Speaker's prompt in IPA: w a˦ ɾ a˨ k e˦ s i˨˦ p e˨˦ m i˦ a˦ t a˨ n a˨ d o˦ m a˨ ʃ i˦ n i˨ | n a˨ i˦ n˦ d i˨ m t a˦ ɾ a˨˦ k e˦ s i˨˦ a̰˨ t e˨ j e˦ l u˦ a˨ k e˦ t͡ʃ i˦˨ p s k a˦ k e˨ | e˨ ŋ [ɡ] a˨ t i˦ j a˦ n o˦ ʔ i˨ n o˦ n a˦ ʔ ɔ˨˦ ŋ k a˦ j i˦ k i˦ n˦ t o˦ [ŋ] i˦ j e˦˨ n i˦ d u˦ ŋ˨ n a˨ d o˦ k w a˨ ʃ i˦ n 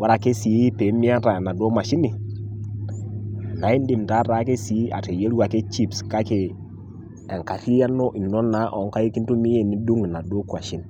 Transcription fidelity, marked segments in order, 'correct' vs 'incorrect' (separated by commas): incorrect, incorrect